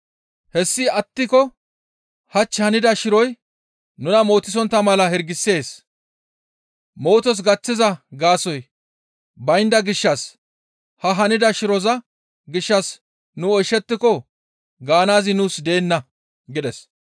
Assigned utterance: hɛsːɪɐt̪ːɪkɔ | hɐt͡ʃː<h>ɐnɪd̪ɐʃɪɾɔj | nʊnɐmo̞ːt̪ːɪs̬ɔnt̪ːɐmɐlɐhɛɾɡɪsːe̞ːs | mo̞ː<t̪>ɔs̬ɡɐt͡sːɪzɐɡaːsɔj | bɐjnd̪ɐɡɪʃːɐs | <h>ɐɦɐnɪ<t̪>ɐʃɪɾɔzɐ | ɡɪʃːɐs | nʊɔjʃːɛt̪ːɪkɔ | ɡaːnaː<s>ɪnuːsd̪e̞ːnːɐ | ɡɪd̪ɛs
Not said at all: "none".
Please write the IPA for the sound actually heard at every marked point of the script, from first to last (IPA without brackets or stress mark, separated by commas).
h, t̪, h, d̪, z